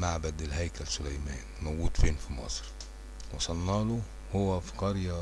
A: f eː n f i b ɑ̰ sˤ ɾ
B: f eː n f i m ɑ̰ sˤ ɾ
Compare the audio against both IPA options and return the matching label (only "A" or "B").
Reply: B